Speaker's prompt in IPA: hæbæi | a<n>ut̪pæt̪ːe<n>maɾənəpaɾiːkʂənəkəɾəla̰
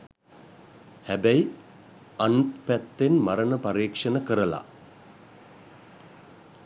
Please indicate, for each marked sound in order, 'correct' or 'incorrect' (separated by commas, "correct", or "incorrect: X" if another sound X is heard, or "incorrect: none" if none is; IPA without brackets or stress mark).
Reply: correct, correct